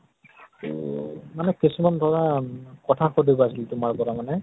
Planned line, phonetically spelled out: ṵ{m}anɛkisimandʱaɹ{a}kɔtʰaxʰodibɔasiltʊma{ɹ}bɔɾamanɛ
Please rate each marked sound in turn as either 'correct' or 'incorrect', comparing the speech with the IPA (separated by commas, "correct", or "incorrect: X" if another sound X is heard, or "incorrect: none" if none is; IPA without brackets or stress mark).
correct, correct, correct